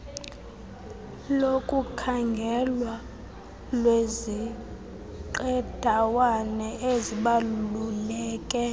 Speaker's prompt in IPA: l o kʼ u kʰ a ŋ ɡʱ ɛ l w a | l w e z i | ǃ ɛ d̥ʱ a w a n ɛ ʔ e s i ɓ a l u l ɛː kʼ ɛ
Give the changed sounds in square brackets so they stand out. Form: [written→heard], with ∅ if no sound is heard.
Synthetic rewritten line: l o kʼ u kʰ a ŋ ɡʱ ɛ l w a | l w e z i | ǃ ɛ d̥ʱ a w a n ɛ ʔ e [s→z] i ɓ a l u l ɛː kʼ ɛ

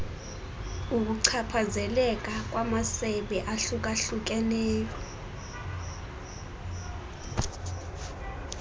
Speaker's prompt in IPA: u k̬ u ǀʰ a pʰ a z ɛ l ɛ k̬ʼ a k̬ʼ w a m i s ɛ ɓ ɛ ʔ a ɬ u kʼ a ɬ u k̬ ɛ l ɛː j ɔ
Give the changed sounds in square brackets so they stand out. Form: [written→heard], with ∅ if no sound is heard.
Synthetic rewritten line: u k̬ u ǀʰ a pʰ a z ɛ l ɛ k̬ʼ a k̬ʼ w a m [i→a] s ɛ ɓ ɛ ʔ a ɬ u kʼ a ɬ u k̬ ɛ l ɛː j ɔ

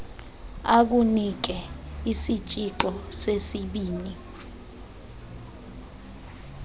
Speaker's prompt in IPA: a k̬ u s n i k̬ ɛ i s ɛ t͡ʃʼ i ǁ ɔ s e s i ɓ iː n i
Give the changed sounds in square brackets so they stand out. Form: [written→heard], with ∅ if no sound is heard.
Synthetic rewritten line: a k̬ u [s→∅] n i k̬ ɛ i s [ɛ→i] t͡ʃʼ i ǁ ɔ s e s i ɓ iː n i

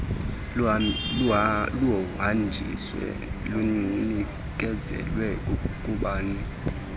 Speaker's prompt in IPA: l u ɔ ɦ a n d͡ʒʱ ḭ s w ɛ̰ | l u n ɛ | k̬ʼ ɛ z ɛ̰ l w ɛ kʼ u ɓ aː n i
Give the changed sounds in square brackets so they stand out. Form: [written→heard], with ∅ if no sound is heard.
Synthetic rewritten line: l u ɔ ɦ a n d͡ʒʱ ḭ s w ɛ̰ | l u n [ɛ→i] | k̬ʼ ɛ z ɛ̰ l w ɛ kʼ u ɓ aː n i

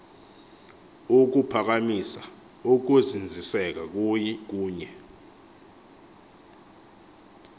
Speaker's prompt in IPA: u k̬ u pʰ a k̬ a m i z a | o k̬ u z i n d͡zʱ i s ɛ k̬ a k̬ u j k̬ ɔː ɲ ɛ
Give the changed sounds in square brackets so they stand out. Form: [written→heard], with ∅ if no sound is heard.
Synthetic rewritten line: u k̬ u pʰ a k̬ a m i [z→s] a | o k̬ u z i n d͡zʱ i s ɛ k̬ a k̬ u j k̬ [ɔː→uː] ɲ ɛ

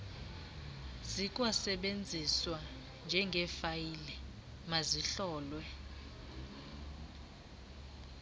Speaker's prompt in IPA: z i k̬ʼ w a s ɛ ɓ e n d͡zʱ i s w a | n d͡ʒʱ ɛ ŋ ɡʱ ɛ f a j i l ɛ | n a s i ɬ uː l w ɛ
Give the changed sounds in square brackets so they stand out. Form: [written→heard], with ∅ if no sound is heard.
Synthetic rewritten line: z i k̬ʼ w a s ɛ ɓ e n d͡zʱ i s w a | n d͡ʒʱ ɛ ŋ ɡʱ ɛ f a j i l ɛ | [n→m] a [s→z] i ɬ [uː→ɔː] l w ɛ

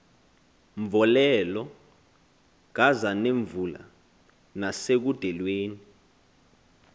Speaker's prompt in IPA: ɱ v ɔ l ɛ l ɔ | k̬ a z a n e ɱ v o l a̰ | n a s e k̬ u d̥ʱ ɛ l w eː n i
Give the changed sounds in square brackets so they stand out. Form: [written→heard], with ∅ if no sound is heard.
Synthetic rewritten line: ɱ v ɔ l ɛ l ɔ | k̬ a z a n e ɱ v [o→u] l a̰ | n a s e k̬ u d̥ʱ ɛ l w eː n i

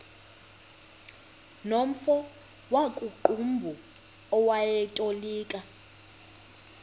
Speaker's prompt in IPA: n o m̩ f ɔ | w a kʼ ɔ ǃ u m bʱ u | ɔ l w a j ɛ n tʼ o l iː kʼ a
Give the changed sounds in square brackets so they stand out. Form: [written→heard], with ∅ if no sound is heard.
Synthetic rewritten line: n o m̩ f ɔ | w a kʼ [ɔ→u] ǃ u m bʱ u | ɔ [l→∅] w a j ɛ [n→∅] tʼ o l iː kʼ a

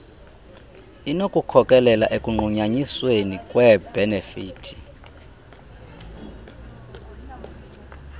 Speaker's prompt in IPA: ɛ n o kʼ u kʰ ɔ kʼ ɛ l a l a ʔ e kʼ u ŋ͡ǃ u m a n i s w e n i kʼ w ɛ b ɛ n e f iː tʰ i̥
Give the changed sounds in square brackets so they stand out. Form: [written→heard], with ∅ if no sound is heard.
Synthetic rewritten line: [ɛ→i] n o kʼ u kʰ ɔ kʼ ɛ l [a→ɛ] l a ʔ e kʼ u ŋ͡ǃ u [m→ɲ] a [n→ɲ] i s w e n i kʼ w ɛ b ɛ n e f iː tʰ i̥

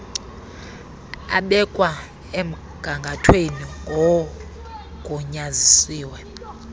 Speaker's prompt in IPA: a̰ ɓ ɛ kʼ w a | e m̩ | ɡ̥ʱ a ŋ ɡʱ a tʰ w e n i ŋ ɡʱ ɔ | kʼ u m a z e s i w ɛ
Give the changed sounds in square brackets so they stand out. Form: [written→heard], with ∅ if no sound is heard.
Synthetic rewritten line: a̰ ɓ ɛ kʼ w a | e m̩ | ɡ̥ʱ a ŋ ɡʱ a tʰ w e n i ŋ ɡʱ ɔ | kʼ u [m→ɲ] a z [e→i] s [i→iː] w ɛ

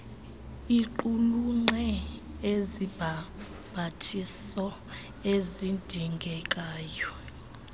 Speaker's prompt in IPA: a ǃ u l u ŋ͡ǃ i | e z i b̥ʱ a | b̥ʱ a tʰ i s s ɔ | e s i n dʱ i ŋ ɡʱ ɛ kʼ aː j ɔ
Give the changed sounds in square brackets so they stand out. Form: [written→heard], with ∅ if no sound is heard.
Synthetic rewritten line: [a→i] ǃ u l u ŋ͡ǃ [i→ɛ] | e z i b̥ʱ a | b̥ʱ a tʰ i s s ɔ | e [s→z] i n dʱ i ŋ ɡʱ ɛ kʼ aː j ɔ

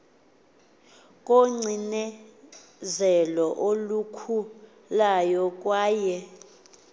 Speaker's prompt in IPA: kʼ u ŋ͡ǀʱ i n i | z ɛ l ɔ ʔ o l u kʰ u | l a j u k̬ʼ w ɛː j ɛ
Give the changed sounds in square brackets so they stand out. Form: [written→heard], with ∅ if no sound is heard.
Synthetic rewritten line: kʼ [u→o] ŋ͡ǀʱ i n [i→ɛ] | z ɛ l ɔ ʔ o l u kʰ u | l a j [u→ɔ] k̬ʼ w [ɛː→aː] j ɛ

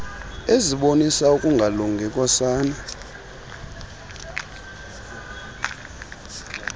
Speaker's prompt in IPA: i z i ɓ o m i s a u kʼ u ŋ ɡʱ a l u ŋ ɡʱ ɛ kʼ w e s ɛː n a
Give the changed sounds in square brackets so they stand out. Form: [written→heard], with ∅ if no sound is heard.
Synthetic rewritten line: [i→e] z i ɓ o [m→n] i s a u kʼ u ŋ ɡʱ a l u ŋ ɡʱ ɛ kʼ w [e→a] s [ɛː→aː] n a

